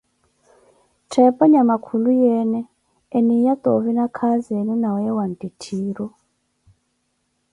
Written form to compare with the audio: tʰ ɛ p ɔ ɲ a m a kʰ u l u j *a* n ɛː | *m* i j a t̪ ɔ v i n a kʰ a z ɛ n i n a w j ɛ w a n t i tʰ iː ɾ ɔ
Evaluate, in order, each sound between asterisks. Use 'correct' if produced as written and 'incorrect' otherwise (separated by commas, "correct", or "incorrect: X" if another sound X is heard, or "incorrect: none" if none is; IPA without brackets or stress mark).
incorrect: ɛ, incorrect: n